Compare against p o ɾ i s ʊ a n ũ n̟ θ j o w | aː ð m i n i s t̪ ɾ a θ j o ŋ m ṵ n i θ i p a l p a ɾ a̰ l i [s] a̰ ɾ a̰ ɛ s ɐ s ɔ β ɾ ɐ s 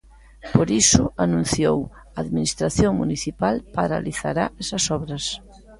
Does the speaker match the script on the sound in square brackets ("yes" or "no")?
no